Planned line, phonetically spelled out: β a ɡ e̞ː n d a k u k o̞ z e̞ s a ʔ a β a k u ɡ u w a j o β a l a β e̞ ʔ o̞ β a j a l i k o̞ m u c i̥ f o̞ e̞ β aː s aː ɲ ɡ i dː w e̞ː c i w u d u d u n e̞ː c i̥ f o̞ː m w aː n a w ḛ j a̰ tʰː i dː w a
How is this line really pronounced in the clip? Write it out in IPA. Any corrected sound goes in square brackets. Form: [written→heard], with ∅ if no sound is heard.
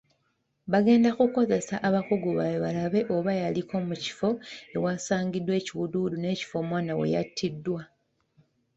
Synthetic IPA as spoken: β a ɡ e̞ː n d a k u k o̞ z e̞ s a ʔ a β a k u ɡ u [w→β] a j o β a l a β e̞ ʔ o̞ β a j a l i k o̞ m u c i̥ f o̞ e̞ [β→w] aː s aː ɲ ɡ i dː w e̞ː c i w u d u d u n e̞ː c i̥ f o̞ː m w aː n a w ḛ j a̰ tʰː i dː w a